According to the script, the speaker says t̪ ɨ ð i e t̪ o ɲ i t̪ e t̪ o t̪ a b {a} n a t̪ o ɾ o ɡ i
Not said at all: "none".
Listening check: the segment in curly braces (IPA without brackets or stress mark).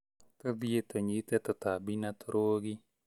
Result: i